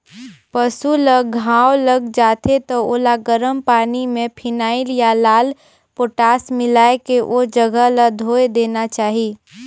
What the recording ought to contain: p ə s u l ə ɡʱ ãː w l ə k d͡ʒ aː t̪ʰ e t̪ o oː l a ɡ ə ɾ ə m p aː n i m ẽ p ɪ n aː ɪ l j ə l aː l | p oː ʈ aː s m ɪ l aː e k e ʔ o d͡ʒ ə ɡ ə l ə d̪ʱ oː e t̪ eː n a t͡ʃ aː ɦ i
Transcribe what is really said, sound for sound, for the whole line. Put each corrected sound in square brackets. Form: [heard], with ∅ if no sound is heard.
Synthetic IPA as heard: p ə s u l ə ɡʱ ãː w l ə [ɡ] d͡ʒ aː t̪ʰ e t̪ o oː l a ɡ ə ɾ ə m p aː n i m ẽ [pʰ] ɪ n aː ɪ l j [a] l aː l | p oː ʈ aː s m ɪ l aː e k e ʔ o d͡ʒ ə ɡ ə l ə d̪ʱ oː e [d̪] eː n a t͡ʃ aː ɦ i